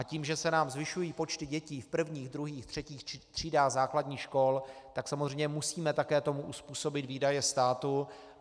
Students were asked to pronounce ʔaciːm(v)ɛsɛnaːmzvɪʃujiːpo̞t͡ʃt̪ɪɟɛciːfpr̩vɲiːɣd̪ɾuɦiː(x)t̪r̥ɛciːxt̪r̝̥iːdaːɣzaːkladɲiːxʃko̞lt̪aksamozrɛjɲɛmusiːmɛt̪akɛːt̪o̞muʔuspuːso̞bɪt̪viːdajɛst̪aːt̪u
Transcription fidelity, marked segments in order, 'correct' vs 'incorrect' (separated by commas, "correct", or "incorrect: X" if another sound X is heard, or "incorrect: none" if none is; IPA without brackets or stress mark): incorrect: ʒ, correct